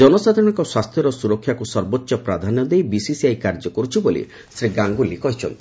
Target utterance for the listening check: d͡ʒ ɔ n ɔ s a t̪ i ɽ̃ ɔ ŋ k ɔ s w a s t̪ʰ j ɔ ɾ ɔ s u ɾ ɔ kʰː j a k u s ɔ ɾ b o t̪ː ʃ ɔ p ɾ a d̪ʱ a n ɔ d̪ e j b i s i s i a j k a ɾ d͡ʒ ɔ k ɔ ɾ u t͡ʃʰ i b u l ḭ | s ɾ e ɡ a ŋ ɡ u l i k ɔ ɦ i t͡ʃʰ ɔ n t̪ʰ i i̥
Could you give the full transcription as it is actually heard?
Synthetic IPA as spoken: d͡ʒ ɔ n ɔ s a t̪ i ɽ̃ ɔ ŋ k ɔ s w a s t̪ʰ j ɔ ɾ ɔ s u ɾ ɔ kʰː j a k u s ɔ ɾ b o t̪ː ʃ ɔ p ɾ a d̪ʱ a n ɔ d̪ e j b i s i s i a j k a ɾ d͡ʒ ɔ k ɔ ɾ u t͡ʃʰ i b o l ḭ | s ɾ i ɡ a ŋ ɡ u l i k ɔ ɦ i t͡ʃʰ ɔ n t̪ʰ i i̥